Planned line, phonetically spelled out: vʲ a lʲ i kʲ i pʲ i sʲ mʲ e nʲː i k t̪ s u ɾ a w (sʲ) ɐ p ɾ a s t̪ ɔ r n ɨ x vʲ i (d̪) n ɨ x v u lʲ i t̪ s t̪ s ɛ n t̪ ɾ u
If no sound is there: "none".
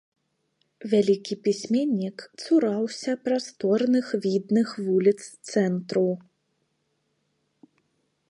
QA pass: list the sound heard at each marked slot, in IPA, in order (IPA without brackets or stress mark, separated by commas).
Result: sʲ, d̪